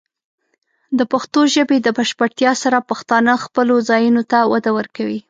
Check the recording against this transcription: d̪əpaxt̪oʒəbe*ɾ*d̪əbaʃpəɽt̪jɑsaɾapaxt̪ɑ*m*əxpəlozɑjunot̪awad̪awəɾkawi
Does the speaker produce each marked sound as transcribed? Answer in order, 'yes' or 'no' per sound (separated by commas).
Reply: no, no